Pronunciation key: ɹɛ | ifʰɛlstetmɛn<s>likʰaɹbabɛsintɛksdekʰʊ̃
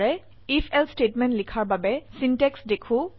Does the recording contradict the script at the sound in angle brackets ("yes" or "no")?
yes